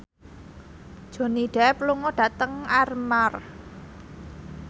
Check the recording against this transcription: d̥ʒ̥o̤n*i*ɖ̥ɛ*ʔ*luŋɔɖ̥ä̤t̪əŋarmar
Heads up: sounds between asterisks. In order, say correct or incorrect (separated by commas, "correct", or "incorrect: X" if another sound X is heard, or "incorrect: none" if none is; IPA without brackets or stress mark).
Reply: correct, incorrect: p